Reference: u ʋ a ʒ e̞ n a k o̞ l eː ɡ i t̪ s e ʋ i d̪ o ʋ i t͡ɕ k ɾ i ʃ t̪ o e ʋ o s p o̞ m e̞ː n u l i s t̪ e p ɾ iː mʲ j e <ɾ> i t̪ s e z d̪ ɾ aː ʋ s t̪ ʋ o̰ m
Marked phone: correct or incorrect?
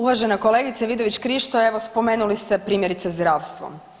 correct